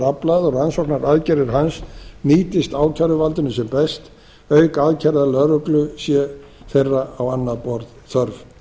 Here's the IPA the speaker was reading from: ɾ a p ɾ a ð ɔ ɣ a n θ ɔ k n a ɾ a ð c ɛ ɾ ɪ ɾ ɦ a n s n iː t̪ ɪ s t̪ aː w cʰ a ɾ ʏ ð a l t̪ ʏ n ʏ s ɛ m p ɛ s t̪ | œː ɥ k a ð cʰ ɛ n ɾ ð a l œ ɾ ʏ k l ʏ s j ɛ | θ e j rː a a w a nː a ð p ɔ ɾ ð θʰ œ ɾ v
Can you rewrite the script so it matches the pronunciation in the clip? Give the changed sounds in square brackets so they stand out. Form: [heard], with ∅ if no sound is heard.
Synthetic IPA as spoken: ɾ a p [l] a ð ɔ ɣ a n [s] ɔ k n a ɾ a ð c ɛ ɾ ɪ ɾ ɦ a n s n iː t̪ ɪ s t̪ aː w cʰ a ɾ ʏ [v] a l t̪ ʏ n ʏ s ɛ m p ɛ s t̪ | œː ɥ k a ð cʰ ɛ [∅] ɾ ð a l œ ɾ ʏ k l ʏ s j ɛ | θ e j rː a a w a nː a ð p ɔ ɾ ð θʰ œ ɾ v

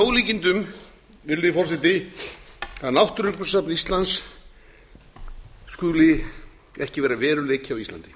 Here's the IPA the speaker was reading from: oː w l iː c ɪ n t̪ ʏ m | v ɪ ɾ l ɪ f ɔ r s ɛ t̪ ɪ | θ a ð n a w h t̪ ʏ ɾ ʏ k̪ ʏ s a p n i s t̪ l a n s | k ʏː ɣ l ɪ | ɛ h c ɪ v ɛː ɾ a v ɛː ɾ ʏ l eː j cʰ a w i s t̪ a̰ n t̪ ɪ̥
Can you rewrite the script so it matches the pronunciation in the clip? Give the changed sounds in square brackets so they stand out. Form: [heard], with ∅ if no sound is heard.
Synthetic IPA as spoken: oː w l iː c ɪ n t̪ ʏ m | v ɪ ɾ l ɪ f ɔ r s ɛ t̪ ɪ | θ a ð n a w h t̪ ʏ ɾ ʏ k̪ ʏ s a p n i s t̪ l a n s | k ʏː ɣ l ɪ | ɛ h c ɪ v ɛː ɾ a v ɛː ɾ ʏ l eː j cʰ a w i s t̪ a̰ n t̪ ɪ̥

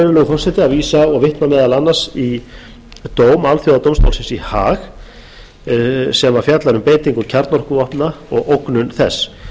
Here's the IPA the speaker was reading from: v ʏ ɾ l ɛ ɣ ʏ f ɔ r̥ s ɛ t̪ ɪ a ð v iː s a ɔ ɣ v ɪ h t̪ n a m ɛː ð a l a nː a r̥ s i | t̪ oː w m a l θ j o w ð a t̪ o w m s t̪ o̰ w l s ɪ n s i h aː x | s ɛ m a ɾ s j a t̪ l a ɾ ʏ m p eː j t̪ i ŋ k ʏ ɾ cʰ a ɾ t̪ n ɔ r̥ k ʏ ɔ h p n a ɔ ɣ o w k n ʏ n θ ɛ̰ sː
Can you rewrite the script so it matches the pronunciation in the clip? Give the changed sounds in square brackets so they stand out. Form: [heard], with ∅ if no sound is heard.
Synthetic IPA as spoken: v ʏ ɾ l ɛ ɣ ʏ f ɔ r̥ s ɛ t̪ ɪ a ð v iː s a ɔ ɣ v ɪ h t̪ n a m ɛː ð a l a nː a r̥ s i | t̪ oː w m a l θ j o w ð a t̪ o w m s t̪ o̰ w l s ɪ n s i h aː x | s ɛ m a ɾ [f] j a t̪ l a ɾ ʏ m p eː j t̪ i ŋ k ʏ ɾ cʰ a ɾ t̪ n ɔ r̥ k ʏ ɔ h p n a ɔ ɣ o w k n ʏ n θ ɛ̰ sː

